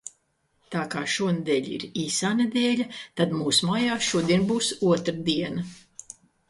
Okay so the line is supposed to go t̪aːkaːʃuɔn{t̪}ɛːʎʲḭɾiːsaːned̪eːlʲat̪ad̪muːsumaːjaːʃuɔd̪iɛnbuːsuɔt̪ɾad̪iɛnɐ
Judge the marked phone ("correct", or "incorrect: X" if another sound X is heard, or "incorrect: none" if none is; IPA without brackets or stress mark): incorrect: d̪